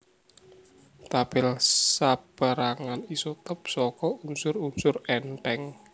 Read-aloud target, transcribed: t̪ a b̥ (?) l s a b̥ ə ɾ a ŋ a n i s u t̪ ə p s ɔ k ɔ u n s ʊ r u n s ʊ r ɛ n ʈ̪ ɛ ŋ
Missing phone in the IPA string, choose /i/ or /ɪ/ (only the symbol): ɪ